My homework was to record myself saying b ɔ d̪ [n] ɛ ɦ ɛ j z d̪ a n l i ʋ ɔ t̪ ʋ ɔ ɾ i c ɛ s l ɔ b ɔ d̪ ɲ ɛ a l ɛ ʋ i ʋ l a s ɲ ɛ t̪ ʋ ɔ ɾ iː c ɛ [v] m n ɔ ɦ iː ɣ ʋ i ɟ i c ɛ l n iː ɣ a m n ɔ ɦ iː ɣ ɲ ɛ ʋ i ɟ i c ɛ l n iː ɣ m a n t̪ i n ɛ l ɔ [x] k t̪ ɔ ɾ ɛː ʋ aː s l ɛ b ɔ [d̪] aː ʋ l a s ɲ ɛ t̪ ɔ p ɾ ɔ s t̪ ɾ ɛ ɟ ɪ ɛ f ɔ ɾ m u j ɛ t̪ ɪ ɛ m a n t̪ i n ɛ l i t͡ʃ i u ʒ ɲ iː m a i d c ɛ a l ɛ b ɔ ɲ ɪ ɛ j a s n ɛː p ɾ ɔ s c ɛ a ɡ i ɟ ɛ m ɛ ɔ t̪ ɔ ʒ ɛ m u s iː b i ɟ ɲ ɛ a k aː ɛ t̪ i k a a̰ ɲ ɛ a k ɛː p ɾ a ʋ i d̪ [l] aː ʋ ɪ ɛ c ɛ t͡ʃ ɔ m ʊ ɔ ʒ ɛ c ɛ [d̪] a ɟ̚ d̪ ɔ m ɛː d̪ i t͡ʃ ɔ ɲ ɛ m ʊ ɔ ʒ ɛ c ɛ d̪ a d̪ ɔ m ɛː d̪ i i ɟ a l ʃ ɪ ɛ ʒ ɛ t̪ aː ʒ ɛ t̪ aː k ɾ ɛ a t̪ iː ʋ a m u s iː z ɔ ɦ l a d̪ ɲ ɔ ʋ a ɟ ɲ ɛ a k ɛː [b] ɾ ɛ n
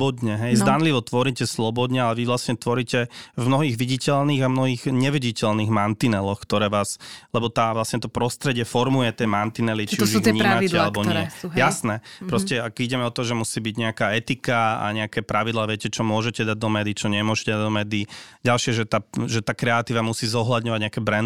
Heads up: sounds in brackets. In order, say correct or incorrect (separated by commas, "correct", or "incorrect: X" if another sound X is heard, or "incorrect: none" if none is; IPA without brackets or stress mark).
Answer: incorrect: ɲ, correct, correct, incorrect: t̪, correct, correct, correct